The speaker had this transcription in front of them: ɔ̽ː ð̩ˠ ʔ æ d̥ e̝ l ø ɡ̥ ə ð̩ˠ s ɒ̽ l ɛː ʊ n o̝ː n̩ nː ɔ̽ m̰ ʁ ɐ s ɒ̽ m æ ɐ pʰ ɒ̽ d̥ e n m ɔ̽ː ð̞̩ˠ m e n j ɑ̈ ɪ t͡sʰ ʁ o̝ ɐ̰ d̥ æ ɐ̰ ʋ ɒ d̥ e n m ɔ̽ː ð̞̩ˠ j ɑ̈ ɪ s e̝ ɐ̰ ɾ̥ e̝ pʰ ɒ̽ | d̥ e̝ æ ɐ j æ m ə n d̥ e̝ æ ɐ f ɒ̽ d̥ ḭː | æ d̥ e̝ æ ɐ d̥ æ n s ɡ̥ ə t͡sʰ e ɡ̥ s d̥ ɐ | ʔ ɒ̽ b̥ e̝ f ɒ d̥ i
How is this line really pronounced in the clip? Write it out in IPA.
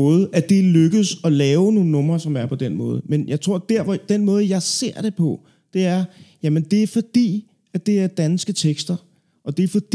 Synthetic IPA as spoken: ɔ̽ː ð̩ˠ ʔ æ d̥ e̝ l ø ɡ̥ ə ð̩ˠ s ɒ̽ l ɛː ʊ n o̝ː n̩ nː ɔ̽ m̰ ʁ ɐ s ɒ̽ m æ ɐ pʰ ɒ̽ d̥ e n m ɔ̽ː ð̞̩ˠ m e n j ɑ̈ ɪ t͡sʰ ʁ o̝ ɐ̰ d̥ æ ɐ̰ ʋ ɒ d̥ e n m ɔ̽ː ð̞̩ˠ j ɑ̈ ɪ s e̝ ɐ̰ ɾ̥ e̝ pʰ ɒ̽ | d̥ e̝ æ ɐ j æ m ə n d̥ e̝ æ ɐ f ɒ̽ d̥ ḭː | æ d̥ e̝ æ ɐ d̥ æ n s ɡ̥ ə t͡sʰ e ɡ̥ s d̥ ɐ | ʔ ɒ̽ d̥ e̝ f ɒ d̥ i